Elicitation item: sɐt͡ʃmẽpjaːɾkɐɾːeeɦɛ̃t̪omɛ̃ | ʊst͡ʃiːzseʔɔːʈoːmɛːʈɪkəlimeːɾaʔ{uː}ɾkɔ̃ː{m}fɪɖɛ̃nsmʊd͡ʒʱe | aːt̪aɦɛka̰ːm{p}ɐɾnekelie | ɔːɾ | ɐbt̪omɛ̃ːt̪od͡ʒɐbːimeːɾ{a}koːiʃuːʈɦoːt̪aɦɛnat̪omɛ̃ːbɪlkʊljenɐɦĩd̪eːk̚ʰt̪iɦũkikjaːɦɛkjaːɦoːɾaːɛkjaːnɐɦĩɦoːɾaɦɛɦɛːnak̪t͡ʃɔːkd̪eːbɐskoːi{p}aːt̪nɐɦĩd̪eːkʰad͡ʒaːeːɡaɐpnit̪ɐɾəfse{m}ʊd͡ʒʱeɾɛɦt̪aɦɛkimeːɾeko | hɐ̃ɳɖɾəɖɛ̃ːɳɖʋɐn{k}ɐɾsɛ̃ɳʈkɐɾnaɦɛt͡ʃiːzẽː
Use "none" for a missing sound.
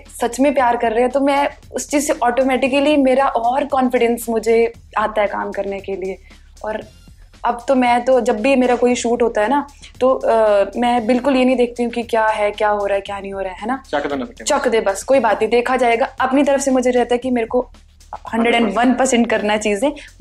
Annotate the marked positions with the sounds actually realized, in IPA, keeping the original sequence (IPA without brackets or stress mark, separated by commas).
ɔː, n, k, a, b, m, p